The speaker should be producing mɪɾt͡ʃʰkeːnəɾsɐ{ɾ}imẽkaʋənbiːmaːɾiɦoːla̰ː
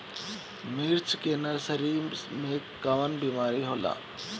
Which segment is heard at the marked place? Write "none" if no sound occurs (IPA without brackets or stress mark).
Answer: ɾ